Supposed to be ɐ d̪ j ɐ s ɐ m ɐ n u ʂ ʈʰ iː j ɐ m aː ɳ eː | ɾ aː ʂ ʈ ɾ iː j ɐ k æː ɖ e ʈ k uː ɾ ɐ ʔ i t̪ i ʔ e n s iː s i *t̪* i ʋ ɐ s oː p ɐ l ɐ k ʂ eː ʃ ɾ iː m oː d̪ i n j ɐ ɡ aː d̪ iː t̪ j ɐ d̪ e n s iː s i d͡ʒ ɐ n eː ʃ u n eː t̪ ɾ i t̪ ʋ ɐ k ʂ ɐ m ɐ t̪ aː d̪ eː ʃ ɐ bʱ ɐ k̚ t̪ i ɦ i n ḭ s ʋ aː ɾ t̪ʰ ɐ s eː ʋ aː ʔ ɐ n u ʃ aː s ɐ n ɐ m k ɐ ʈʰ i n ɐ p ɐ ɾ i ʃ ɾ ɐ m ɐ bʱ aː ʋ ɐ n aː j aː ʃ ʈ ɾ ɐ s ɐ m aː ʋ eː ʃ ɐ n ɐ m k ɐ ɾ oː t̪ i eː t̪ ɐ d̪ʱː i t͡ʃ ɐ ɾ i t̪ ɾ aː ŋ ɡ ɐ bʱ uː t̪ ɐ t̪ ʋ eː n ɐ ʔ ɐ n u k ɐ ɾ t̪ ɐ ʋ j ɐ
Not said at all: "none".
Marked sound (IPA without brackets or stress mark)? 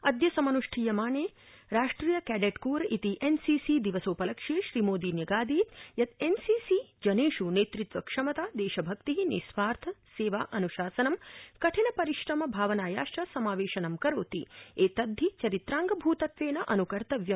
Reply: d̪